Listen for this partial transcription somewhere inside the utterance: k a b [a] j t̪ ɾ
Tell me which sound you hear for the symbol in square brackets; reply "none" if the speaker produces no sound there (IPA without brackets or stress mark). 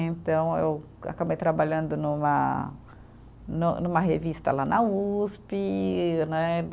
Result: e